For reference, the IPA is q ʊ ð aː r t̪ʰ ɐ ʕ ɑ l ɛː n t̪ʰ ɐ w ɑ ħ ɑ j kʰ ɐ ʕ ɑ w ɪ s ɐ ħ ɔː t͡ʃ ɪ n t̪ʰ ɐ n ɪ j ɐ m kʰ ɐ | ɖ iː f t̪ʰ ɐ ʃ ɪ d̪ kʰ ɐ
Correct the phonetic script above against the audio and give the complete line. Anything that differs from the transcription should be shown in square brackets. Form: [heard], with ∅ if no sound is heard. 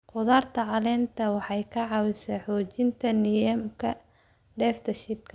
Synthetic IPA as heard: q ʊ ð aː r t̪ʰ ɐ ʕ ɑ l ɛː n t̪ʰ ɐ w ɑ ħ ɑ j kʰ ɐ ʕ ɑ w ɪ s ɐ ħ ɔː t͡ʃ ɪ n t̪ʰ ɐ n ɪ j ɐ m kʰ ɐ | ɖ [ɛː] f t̪ʰ ɐ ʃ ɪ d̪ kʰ ɐ